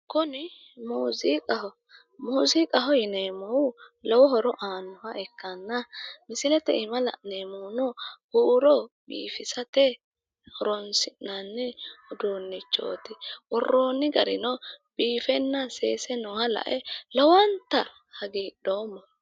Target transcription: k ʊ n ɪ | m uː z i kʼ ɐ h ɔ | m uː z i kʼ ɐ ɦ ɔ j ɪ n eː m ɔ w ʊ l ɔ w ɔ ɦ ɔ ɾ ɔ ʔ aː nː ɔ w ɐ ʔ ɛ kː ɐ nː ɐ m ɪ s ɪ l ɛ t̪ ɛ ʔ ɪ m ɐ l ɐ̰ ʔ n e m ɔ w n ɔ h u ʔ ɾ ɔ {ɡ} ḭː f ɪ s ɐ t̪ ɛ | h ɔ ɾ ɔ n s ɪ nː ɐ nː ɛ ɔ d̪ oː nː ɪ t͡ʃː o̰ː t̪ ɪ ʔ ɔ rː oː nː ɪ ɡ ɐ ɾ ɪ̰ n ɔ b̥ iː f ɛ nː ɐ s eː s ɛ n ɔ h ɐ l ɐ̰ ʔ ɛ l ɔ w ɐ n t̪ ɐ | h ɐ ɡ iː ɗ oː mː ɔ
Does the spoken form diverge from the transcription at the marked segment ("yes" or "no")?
yes